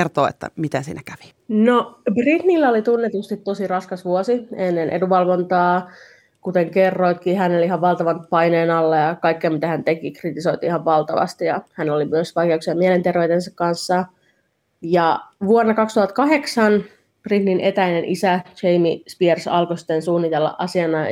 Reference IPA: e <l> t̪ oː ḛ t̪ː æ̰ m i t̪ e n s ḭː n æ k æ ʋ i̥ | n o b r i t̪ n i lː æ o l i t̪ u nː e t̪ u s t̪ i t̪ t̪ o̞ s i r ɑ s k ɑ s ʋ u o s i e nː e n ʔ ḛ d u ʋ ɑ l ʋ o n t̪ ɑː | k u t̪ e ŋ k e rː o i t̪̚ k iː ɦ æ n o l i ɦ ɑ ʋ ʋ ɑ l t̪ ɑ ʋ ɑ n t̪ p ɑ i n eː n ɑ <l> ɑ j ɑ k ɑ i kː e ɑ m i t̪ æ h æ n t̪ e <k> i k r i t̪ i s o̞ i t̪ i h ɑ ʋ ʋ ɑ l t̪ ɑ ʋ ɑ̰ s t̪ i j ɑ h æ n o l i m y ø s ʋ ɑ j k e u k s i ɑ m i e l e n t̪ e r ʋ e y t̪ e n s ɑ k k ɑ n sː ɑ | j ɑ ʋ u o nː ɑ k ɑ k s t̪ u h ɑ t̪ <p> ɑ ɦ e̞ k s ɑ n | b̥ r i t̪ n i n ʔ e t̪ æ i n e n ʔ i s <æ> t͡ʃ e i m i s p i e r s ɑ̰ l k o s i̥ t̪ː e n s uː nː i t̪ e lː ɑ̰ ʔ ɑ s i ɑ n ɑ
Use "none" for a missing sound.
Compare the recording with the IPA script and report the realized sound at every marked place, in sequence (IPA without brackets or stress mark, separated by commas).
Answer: r, lː, k, k, æ